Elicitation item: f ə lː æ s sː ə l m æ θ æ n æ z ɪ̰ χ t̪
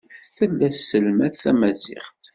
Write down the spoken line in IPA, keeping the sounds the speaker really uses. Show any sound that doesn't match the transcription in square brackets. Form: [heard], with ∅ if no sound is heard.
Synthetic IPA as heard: [θ] ə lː æ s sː ə l m æ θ æ [m] æ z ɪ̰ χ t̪